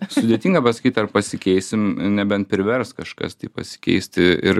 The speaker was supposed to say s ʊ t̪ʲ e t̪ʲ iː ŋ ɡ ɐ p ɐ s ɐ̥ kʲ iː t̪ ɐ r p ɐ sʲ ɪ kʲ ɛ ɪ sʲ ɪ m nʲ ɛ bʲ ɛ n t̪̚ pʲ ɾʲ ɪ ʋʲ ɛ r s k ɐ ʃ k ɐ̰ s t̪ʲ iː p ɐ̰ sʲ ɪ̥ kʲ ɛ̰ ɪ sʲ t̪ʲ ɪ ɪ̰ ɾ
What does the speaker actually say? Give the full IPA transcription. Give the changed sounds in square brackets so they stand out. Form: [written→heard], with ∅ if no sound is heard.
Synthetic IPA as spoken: s ʊ [t̪ʲ→d̪ʲ] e t̪ʲ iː ŋ ɡ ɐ p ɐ s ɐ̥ kʲ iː t̪ ɐ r p ɐ sʲ ɪ kʲ ɛ ɪ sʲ ɪ m nʲ ɛ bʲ ɛ n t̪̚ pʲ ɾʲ ɪ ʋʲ ɛ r s k ɐ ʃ k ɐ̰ s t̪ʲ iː p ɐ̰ sʲ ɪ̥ kʲ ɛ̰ ɪ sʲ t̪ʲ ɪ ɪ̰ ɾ

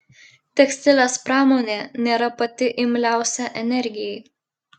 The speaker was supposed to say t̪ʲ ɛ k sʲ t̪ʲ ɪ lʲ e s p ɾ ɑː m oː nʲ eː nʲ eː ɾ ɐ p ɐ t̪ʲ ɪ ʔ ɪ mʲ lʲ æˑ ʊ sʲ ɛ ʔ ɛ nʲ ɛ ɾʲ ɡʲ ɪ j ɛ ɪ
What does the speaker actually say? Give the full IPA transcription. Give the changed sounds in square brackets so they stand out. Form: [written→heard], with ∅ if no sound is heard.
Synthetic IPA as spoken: t̪ʲ ɛ k sʲ t̪ʲ ɪ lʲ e s p ɾ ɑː m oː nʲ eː nʲ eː ɾ ɐ p ɐ t̪ʲ ɪ ʔ ɪ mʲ lʲ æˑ ʊ sʲ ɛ ʔ ɛ nʲ ɛ ɾʲ ɡʲ ɪ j ɛ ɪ

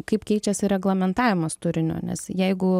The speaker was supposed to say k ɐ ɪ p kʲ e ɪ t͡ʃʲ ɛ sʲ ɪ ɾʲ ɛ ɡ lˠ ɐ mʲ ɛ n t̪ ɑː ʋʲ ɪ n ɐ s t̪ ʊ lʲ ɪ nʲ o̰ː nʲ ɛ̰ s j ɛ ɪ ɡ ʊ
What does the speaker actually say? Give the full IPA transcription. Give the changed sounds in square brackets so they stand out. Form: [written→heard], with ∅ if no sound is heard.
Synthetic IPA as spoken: k ɐ ɪ p kʲ [e→ɛ] ɪ t͡ʃʲ ɛ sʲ ɪ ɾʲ ɛ ɡ lˠ ɐ mʲ ɛ n t̪ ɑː ʋʲ ɪ [n→m] ɐ s t̪ ʊ [lʲ→ɾʲ] ɪ nʲ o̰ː nʲ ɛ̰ s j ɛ ɪ ɡ ʊ

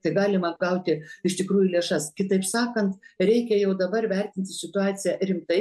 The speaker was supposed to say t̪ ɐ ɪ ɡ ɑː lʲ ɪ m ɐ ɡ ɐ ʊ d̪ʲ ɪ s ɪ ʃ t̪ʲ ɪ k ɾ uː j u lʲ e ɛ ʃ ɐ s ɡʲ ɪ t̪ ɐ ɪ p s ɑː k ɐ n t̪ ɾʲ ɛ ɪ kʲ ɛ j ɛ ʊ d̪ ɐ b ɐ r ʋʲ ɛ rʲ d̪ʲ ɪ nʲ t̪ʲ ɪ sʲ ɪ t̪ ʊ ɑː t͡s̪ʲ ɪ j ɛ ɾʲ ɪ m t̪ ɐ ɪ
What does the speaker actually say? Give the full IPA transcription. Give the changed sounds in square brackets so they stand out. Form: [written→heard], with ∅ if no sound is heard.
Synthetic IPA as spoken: t̪ ɐ ɪ ɡ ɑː lʲ ɪ m ɐ ɡ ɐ ʊ [d̪ʲ→t̪ʲ] ɪ [s→∅] ɪ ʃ t̪ʲ ɪ k ɾ uː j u lʲ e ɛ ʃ ɐ s [ɡʲ→kʲ] ɪ t̪ ɐ ɪ p s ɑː k ɐ n t̪ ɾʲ ɛ ɪ kʲ ɛ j ɛ ʊ d̪ ɐ b ɐ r ʋʲ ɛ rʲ [d̪ʲ→t̪ʲ] ɪ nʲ t̪ʲ ɪ sʲ ɪ t̪ ʊ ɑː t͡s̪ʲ ɪ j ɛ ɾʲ ɪ m t̪ ɐ ɪ

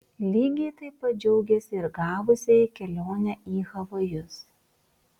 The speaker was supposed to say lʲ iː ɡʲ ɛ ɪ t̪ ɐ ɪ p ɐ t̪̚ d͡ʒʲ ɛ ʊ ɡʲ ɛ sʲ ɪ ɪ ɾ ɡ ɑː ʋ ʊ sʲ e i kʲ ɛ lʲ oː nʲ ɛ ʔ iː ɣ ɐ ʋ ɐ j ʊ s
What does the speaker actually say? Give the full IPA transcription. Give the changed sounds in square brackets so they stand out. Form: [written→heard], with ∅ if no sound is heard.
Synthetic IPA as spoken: lʲ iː ɡʲ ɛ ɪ t̪ ɐ ɪ p ɐ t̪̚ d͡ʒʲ ɛ ʊ ɡʲ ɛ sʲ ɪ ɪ ɾ ɡ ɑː ʋ ʊ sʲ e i kʲ ɛ lʲ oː nʲ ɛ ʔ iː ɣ ɐ ʋ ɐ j ʊ s

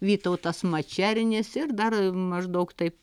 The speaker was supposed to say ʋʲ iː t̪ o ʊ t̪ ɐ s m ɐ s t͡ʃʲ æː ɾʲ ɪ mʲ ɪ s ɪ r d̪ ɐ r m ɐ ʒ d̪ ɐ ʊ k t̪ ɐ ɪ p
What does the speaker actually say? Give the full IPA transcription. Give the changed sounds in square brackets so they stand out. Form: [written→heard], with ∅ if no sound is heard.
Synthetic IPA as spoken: ʋʲ iː t̪ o ʊ t̪ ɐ s m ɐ [s→∅] t͡ʃʲ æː ɾʲ ɪ [mʲ→nʲ] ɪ s ɪ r d̪ ɐ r m ɐ ʒ d̪ ɐ ʊ k t̪ ɐ ɪ p

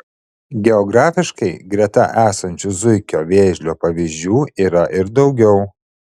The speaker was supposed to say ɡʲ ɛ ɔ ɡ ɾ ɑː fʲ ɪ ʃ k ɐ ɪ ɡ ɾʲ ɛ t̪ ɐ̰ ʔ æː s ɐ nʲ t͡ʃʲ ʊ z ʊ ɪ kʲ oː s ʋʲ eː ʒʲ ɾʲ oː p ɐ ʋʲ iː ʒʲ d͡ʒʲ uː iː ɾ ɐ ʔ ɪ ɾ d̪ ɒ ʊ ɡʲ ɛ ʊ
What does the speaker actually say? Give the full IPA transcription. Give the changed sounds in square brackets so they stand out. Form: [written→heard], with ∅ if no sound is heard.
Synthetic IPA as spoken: ɡʲ ɛ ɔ ɡ ɾ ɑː fʲ ɪ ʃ k ɐ ɪ ɡ ɾʲ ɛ t̪ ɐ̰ ʔ æː s ɐ nʲ t͡ʃʲ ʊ z ʊ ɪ kʲ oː [s→∅] ʋʲ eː ʒʲ [ɾʲ→lʲ] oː p ɐ ʋʲ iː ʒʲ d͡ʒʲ uː iː ɾ ɐ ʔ ɪ ɾ d̪ ɒ ʊ ɡʲ ɛ ʊ

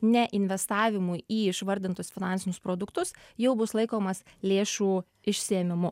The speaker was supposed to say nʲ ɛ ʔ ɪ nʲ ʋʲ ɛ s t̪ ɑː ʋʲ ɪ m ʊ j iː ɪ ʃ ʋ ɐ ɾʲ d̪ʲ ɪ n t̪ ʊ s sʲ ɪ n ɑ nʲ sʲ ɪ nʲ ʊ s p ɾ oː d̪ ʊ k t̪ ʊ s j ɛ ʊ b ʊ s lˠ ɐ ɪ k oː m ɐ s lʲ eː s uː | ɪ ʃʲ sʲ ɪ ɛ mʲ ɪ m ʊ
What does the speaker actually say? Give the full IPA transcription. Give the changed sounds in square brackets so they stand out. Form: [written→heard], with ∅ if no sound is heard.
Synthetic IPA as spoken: nʲ ɛ ʔ ɪ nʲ ʋʲ ɛ s t̪ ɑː ʋʲ ɪ m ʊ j iː ɪ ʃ ʋ ɐ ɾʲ d̪ʲ ɪ n t̪ ʊ s [sʲ→fʲ] ɪ n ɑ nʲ sʲ ɪ nʲ ʊ s p ɾ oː d̪ ʊ k t̪ ʊ s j ɛ ʊ b ʊ s lˠ ɐ ɪ k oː m ɐ s lʲ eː [s→ʃ] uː | ɪ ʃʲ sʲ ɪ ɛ mʲ ɪ m ʊ

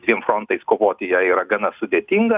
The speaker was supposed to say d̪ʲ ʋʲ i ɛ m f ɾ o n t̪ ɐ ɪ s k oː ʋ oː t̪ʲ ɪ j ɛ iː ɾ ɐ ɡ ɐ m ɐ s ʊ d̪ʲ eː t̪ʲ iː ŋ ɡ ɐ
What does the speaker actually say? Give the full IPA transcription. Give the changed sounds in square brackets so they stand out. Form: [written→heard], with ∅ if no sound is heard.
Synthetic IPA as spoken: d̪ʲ ʋʲ i ɛ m f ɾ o n t̪ ɐ ɪ s k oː ʋ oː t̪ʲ ɪ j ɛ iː ɾ ɐ ɡ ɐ [m→n] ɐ s ʊ d̪ʲ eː t̪ʲ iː ŋ ɡ ɐ

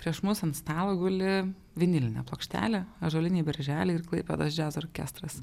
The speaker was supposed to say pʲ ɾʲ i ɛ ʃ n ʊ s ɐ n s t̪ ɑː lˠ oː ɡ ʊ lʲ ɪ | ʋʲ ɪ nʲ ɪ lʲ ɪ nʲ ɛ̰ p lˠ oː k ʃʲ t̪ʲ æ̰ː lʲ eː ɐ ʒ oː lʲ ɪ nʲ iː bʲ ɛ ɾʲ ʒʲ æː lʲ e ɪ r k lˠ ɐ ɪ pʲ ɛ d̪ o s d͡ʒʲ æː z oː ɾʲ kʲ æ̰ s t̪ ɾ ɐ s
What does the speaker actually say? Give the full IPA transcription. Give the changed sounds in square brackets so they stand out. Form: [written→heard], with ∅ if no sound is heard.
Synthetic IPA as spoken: pʲ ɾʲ i ɛ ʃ [n→m] ʊ s ɐ n s t̪ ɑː lˠ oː ɡ ʊ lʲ ɪ | ʋʲ ɪ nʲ ɪ lʲ ɪ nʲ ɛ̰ p lˠ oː k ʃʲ t̪ʲ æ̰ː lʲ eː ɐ ʒ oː lʲ ɪ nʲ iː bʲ ɛ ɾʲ ʒʲ æː lʲ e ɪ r k lˠ ɐ ɪ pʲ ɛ d̪ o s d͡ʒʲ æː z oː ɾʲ kʲ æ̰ s t̪ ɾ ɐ s

